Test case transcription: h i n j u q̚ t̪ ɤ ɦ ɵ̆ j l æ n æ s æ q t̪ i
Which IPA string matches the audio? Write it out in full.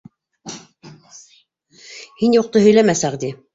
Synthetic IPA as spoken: h i n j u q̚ t̪ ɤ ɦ ɵ̆ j l æ m æ s æ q d̪ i